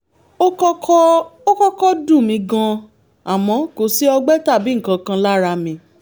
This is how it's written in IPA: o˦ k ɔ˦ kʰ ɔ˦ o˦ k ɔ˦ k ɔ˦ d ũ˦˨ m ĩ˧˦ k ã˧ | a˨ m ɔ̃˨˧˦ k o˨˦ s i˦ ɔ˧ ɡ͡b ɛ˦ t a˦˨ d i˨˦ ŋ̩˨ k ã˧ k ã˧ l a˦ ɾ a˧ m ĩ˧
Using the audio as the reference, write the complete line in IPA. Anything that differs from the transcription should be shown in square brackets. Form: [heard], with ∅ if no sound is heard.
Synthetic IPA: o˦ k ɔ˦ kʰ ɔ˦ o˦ k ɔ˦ k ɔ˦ d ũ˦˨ m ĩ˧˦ [ɡ] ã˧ | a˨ m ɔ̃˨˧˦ k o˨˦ s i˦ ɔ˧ ɡ͡b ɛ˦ t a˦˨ [b] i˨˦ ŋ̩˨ k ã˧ k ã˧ l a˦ ɾ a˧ m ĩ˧